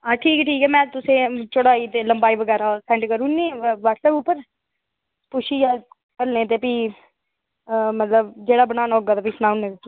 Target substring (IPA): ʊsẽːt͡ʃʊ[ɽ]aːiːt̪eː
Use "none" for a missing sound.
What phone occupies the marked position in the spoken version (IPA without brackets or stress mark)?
ɽ